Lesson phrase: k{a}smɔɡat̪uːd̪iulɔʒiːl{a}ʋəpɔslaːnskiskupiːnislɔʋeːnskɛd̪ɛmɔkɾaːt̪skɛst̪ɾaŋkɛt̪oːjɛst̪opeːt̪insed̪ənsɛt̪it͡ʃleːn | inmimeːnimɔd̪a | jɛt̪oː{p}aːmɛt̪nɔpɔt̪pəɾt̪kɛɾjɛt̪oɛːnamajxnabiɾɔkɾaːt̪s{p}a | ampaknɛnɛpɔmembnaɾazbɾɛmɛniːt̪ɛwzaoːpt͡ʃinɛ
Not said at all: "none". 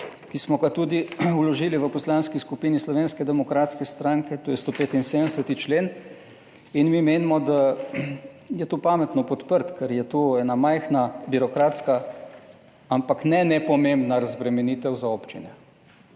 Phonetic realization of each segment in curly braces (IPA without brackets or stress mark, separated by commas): i, i, p, k